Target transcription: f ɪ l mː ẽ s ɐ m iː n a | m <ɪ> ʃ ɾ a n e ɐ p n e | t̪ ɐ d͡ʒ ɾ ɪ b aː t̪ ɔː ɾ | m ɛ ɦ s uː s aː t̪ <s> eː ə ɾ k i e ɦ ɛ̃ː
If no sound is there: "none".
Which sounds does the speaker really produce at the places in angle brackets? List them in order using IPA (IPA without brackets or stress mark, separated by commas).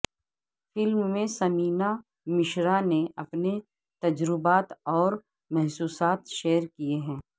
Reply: ɪ, ʃ